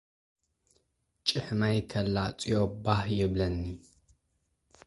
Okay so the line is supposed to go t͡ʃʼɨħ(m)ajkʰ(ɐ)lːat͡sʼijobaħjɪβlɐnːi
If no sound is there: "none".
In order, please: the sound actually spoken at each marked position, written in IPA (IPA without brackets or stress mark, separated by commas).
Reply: m, ɐ